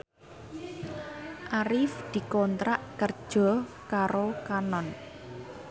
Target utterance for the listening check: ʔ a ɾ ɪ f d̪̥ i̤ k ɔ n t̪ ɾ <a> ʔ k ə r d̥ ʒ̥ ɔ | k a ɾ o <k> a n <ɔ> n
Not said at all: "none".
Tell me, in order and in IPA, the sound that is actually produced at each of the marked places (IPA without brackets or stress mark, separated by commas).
a, k, ɔ